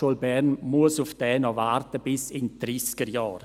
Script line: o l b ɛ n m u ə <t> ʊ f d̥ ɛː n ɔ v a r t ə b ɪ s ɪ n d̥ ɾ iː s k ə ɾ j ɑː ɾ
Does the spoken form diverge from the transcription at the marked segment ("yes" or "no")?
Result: yes